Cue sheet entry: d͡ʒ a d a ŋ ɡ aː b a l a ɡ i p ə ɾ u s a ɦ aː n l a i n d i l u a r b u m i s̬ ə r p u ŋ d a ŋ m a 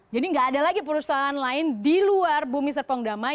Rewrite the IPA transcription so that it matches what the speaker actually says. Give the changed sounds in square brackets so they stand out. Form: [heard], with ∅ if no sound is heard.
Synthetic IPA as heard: d͡ʒ a d [i] ŋ ɡ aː [d] a l a ɡ i p ə ɾ u s a ɦ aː n l a [ɪ] n d i l u a r b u m i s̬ ə r p [ɔ] ŋ d a [∅] m a